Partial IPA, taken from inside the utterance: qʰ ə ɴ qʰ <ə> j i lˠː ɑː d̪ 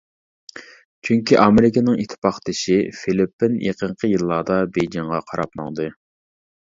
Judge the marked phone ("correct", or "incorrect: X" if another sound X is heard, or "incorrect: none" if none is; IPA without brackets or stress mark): correct